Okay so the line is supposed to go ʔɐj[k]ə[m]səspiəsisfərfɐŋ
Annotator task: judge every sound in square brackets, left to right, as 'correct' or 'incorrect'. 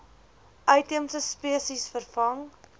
incorrect, correct

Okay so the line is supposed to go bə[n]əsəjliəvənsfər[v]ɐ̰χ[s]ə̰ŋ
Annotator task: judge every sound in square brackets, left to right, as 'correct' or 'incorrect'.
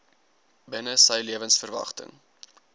correct, correct, incorrect

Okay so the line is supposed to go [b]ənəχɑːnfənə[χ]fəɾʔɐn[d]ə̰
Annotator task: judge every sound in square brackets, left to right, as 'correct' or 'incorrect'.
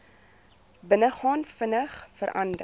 correct, correct, correct

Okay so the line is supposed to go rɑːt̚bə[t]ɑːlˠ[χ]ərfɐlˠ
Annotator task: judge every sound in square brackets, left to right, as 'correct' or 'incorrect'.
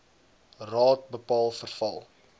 incorrect, incorrect

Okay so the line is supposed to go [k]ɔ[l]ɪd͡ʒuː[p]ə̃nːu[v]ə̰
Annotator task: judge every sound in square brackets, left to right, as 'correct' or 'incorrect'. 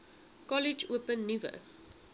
correct, correct, correct, correct

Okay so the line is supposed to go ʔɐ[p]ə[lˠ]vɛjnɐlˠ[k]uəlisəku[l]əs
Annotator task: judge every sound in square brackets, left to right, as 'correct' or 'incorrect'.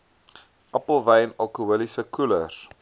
correct, correct, correct, correct

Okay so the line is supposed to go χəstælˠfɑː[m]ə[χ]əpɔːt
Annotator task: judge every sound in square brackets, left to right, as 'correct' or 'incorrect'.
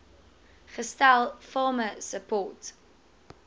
correct, incorrect

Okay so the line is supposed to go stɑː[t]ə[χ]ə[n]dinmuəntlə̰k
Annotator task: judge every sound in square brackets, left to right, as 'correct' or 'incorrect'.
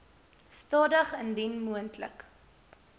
incorrect, correct, correct

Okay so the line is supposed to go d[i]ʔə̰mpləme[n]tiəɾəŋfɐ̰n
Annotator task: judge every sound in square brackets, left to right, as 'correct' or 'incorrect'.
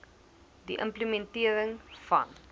correct, correct

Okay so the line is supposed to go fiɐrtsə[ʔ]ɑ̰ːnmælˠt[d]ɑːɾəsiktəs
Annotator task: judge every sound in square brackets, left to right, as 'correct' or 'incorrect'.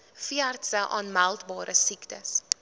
correct, incorrect

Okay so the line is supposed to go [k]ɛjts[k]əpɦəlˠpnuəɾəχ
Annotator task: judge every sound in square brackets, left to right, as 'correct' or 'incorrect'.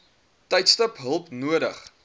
incorrect, incorrect

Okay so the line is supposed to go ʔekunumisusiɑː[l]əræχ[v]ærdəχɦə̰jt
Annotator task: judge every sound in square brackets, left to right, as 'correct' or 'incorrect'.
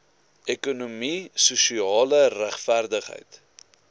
correct, incorrect

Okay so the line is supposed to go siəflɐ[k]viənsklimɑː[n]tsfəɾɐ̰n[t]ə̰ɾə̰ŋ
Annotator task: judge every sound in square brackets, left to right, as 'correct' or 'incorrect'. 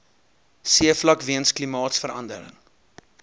correct, incorrect, incorrect

